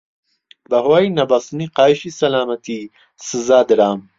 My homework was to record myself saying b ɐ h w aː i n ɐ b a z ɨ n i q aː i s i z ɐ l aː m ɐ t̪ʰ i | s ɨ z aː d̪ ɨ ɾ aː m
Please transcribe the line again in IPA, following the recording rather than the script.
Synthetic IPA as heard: b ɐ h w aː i n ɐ b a s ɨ n i q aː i ʃ i s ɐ l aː m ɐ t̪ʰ i | s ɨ z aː d̪ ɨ ɾ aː m